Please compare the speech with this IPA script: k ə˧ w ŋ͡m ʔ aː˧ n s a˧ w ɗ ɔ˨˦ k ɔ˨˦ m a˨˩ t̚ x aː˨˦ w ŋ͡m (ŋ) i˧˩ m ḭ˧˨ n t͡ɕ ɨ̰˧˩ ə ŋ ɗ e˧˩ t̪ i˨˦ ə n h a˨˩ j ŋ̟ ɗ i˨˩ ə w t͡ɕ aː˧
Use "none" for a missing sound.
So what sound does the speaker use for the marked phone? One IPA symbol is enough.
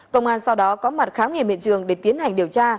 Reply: ŋ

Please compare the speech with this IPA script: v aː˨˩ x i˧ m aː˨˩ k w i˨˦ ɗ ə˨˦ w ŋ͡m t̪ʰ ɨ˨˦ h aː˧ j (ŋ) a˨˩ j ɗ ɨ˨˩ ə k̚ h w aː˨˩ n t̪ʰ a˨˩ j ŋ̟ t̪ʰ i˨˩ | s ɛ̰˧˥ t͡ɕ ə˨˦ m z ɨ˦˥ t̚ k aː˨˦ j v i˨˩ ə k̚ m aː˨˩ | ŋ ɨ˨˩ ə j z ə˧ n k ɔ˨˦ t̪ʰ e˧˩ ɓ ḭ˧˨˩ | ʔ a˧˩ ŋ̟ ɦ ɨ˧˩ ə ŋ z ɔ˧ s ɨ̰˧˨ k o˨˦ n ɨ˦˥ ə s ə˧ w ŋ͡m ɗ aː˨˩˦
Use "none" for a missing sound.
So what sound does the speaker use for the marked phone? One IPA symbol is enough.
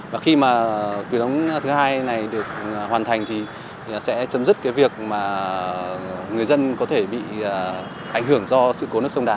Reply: n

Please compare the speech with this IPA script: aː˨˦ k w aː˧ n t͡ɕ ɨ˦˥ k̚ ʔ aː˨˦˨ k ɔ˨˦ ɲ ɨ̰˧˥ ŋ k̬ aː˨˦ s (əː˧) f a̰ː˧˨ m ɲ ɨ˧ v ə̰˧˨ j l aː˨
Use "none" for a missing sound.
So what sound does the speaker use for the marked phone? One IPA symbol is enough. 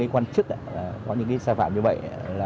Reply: aː˧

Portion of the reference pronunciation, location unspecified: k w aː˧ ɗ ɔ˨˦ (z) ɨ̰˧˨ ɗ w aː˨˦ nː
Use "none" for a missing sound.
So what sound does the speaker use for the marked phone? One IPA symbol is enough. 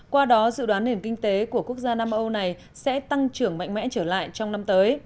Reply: z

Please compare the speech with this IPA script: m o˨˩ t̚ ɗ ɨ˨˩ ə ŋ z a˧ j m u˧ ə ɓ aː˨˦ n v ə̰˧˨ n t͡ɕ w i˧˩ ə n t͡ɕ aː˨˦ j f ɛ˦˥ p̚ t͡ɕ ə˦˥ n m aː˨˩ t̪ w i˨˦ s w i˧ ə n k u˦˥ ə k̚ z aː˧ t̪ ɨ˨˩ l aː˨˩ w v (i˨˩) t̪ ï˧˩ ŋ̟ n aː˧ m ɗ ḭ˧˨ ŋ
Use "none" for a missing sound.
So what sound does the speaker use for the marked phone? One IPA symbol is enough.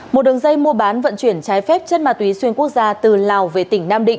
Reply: e˨˩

